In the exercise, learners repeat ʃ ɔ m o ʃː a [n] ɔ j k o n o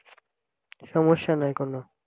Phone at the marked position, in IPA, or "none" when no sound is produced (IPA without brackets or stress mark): n